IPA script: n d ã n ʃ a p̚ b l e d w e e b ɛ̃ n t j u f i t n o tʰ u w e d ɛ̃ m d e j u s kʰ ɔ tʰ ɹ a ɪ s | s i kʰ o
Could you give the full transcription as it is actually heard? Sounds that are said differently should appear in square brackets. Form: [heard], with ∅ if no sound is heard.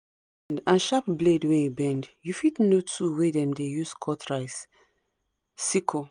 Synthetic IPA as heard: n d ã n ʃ a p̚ b l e d w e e b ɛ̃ n [d] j u f i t n o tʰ u w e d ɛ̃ m d e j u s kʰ ɔ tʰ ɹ a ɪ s | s i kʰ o